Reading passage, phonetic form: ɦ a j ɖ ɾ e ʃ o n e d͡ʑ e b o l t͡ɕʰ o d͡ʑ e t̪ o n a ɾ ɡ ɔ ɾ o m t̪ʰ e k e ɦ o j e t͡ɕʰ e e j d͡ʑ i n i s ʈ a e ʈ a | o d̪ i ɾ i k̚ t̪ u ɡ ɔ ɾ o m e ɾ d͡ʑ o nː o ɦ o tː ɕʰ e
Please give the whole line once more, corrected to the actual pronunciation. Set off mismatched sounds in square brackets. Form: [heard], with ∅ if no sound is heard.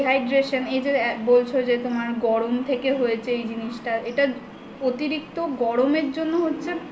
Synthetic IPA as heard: ɦ a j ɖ ɾ e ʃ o n e d͡ʑ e b o l t͡ɕʰ o d͡ʑ e t̪ o [m] a ɾ ɡ ɔ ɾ o m t̪ʰ e k e ɦ o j e t͡ɕʰ e e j d͡ʑ i n i [ʃ] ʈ a e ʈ a | o [t̪] i ɾ i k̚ t̪ [o] ɡ ɔ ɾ o m e ɾ d͡ʑ o nː o ɦ o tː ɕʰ e